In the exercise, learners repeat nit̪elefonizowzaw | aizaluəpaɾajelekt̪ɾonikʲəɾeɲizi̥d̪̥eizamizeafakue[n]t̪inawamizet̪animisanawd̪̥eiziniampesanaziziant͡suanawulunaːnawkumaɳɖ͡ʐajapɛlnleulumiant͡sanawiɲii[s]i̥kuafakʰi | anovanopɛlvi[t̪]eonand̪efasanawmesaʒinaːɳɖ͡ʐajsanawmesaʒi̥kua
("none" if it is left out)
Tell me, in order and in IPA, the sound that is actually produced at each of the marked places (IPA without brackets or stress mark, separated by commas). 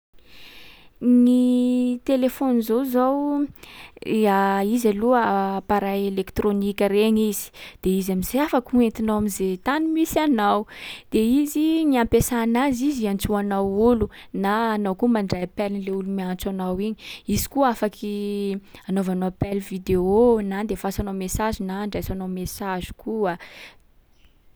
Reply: n, z, d̪